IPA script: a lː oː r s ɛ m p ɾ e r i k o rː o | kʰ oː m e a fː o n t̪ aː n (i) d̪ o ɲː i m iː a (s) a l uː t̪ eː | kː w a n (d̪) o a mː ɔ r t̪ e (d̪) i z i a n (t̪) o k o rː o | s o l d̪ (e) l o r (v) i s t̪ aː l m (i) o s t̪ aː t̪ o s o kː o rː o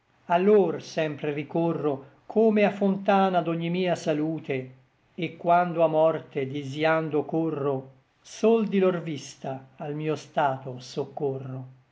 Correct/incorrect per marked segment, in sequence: incorrect: a, correct, correct, correct, incorrect: d̪, incorrect: i, correct, incorrect: iː

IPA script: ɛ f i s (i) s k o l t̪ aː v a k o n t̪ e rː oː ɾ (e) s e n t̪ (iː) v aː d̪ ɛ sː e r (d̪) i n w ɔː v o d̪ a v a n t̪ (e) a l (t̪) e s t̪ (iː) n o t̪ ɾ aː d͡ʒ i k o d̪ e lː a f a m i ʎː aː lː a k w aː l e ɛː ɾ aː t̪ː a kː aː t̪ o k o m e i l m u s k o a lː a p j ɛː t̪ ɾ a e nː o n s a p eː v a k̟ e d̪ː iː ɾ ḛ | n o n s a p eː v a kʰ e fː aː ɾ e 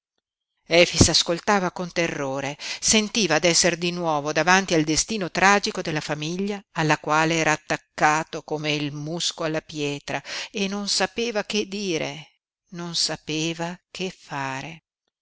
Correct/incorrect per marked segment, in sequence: incorrect: a, correct, correct, correct, incorrect: i, incorrect: d̪, correct

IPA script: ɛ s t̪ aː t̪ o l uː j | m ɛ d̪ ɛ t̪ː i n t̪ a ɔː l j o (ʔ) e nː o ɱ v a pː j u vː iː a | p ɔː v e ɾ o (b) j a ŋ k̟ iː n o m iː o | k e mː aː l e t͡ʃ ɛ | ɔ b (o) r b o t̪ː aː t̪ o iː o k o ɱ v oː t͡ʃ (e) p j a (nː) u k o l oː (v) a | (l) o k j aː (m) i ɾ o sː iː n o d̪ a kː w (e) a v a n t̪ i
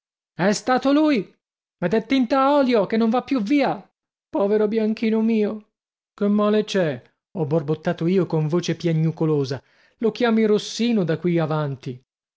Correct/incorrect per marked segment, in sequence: incorrect: k, correct, correct, correct, incorrect: ɲː, incorrect: z, correct, correct, incorrect: i

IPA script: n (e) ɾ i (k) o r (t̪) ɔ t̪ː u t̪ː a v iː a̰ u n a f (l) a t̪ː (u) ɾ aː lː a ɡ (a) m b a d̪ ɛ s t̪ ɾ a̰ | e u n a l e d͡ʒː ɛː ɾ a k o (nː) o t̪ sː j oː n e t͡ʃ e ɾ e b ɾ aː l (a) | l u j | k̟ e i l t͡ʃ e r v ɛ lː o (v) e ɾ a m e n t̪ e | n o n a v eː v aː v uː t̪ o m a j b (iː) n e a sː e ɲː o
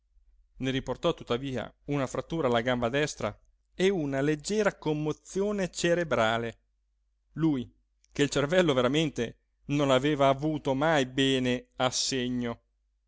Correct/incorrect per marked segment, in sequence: correct, incorrect: p, correct, incorrect: ɾ, incorrect: uː, correct, incorrect: mː, incorrect: e, correct, incorrect: ɛː

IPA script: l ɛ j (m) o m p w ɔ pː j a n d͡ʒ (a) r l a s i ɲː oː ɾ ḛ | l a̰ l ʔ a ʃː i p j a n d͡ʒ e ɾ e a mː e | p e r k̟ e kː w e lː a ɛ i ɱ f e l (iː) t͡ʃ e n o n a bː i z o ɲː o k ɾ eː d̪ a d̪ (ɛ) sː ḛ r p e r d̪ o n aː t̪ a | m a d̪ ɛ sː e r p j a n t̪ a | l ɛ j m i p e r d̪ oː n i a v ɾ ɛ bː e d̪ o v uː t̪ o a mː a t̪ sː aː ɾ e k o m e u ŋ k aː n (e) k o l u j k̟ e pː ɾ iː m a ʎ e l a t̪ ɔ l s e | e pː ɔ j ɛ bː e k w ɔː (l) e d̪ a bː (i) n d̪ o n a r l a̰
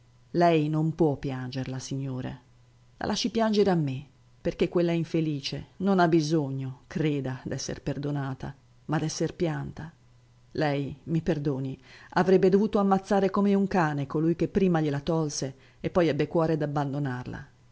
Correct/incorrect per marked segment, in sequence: incorrect: n, incorrect: e, correct, correct, correct, incorrect: ɾ, incorrect: a

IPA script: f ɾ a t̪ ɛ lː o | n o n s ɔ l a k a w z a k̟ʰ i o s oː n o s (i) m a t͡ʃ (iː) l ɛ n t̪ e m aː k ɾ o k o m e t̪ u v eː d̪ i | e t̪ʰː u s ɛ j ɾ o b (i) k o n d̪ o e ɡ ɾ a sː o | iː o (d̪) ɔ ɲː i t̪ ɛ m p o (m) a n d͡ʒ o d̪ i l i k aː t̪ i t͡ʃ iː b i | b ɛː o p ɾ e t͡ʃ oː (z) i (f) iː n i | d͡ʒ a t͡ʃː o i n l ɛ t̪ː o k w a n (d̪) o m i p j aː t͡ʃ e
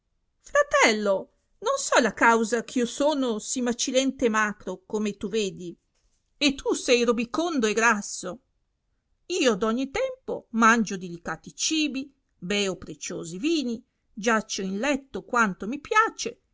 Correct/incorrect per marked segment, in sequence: correct, incorrect: i, correct, correct, correct, correct, incorrect: v, incorrect: t̪

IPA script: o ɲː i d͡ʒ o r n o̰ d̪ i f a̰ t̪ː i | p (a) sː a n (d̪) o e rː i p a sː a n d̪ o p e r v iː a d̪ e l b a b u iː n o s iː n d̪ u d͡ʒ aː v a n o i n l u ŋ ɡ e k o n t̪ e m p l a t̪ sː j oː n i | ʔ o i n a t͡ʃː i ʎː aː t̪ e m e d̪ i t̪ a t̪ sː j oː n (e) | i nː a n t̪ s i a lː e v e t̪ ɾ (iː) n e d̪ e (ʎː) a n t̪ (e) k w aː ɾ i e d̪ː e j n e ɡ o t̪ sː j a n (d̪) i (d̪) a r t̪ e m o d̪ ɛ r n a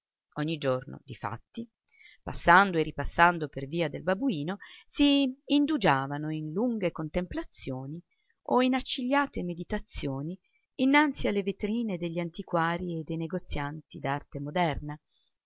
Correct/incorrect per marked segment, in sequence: correct, correct, incorrect: i, correct, correct, incorrect: i, incorrect: t̪, correct

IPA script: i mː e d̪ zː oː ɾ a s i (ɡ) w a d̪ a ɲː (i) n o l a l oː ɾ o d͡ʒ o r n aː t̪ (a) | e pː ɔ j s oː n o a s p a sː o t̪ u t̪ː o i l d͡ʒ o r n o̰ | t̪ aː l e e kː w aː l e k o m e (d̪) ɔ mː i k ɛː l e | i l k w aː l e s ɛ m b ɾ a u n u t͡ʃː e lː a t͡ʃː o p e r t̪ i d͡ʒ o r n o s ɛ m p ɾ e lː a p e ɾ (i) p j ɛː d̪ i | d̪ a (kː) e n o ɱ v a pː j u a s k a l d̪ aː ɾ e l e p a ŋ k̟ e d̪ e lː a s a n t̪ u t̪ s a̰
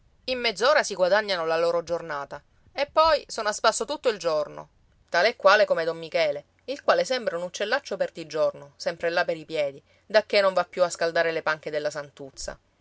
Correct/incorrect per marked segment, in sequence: correct, incorrect: a, correct, correct, correct, correct

